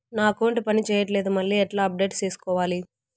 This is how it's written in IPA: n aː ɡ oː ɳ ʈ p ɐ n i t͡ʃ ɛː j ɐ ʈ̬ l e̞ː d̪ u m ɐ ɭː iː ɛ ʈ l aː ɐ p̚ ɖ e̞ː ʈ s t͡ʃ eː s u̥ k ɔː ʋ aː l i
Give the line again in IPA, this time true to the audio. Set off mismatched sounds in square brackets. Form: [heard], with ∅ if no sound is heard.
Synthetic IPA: n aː [k] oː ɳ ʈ p ɐ n i t͡ʃ ɛː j ɐ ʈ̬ l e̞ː d̪ u m ɐ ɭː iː ɛ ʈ l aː ɐ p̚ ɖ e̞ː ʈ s t͡ʃ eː s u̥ k ɔː ʋ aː l i